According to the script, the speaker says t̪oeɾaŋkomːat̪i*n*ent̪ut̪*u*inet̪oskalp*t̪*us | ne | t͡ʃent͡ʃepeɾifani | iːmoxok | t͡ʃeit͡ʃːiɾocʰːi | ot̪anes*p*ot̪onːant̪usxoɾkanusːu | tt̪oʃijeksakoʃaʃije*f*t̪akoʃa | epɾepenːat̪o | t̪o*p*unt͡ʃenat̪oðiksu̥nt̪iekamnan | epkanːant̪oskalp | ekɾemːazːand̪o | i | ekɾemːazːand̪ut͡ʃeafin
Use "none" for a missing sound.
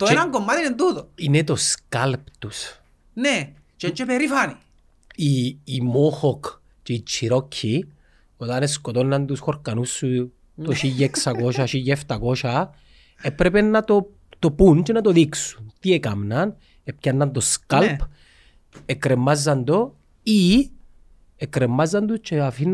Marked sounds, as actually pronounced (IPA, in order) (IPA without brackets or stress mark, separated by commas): n, o, t̪, k, f, p